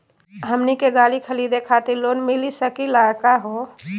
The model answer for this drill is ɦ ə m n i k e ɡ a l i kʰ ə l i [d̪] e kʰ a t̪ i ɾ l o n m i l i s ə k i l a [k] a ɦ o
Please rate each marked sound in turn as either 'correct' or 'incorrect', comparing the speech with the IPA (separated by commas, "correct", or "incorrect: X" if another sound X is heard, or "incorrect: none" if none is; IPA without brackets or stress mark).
correct, correct